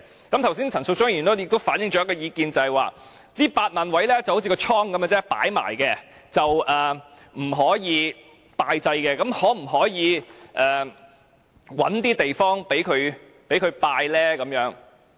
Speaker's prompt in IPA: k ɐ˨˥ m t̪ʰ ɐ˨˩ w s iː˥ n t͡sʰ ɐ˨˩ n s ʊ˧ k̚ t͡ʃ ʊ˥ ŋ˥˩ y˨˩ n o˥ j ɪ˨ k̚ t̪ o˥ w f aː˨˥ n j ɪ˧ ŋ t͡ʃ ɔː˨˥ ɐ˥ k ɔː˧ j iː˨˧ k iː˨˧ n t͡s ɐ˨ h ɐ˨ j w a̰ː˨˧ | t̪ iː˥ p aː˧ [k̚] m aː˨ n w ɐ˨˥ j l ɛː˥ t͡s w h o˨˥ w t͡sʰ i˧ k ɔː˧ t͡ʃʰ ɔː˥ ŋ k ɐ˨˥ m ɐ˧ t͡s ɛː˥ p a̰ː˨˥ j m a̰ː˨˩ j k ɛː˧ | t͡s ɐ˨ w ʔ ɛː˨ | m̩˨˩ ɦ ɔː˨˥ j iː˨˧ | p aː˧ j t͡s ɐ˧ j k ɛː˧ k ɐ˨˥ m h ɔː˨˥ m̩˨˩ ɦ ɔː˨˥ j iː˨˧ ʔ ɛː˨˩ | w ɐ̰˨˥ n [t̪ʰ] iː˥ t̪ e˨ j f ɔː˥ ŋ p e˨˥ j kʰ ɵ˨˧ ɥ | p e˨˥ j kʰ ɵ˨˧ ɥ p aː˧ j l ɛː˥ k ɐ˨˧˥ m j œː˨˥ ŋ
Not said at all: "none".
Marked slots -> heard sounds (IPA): t̚, t̪

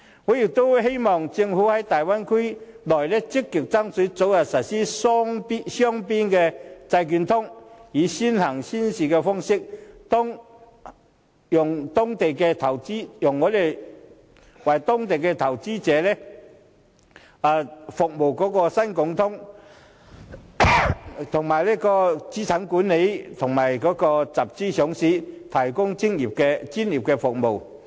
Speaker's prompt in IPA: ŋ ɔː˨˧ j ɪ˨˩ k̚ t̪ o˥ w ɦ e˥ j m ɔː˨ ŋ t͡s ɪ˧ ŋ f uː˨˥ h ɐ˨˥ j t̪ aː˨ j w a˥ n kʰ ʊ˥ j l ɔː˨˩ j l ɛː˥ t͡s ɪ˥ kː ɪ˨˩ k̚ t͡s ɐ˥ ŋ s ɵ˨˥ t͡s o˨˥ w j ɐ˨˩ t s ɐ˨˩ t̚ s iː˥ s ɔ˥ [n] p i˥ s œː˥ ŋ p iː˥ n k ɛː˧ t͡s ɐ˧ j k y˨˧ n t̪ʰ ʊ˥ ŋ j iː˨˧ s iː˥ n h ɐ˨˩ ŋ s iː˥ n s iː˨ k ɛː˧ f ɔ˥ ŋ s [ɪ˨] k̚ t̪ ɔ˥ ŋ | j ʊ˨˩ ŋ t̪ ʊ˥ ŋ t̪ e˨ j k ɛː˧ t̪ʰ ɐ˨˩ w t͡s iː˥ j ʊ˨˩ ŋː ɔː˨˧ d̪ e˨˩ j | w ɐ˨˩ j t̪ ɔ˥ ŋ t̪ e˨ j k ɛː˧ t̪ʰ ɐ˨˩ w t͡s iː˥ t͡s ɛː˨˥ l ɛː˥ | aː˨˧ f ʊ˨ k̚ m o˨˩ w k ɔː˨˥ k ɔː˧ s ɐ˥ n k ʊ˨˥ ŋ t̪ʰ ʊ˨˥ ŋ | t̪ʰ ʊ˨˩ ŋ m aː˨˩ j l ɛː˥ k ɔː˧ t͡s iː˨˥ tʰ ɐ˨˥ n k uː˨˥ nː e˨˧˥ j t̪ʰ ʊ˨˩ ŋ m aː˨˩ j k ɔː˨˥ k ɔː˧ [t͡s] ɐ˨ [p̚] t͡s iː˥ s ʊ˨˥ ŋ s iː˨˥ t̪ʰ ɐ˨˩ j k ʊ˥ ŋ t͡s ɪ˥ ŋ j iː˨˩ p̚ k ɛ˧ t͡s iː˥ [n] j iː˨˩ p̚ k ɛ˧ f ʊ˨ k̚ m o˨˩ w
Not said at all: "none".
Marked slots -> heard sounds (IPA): ŋ, ɪ˥, t͡s, p̚, n

